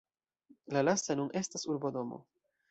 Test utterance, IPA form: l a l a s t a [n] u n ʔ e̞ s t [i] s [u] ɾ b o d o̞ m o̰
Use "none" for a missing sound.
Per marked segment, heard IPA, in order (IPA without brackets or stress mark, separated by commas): n, a, u